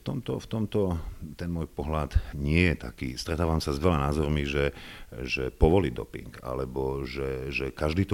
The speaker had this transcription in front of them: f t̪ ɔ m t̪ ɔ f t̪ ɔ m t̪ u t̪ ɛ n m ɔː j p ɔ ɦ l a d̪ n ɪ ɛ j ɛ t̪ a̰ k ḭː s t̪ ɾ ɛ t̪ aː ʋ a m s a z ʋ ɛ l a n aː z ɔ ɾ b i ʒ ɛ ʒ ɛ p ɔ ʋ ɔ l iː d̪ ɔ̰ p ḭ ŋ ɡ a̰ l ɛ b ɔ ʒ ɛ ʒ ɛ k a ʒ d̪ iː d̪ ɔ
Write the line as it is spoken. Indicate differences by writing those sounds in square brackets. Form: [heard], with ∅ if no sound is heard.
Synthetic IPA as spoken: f t̪ ɔ m t̪ ɔ f t̪ ɔ m t̪ [ɔ] t̪ ɛ n m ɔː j p ɔ ɦ l a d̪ [ɲ] ɪ ɛ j ɛ t̪ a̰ k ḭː s t̪ ɾ ɛ t̪ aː ʋ a m s a z ʋ ɛ l a n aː z ɔ ɾ [m] i ʒ ɛ ʒ ɛ p ɔ ʋ ɔ l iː d̪ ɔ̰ p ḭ ŋ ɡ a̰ l ɛ b ɔ ʒ ɛ ʒ ɛ k a ʒ d̪ iː [t̪] ɔ